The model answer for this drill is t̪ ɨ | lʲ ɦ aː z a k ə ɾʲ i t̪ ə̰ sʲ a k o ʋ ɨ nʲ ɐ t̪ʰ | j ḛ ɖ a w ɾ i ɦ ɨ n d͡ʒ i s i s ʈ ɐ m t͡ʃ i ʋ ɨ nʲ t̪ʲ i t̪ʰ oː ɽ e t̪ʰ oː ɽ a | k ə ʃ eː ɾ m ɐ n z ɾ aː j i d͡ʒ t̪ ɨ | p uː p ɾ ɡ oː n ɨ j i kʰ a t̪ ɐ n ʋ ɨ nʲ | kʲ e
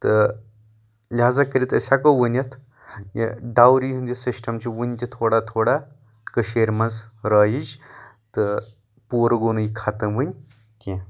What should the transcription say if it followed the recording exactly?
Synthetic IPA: t̪ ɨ | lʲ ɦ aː z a k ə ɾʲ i t̪ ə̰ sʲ a k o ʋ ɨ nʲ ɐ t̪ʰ | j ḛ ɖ a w ɾ i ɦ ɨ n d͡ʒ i s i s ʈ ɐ m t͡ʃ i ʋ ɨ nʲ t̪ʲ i t̪ʰ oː ɽ a t̪ʰ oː ɽ a | k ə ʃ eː ɾ m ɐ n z ɾ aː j i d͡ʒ t̪ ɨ | p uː ɾ ɡ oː n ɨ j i kʰ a t̪ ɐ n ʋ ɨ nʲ | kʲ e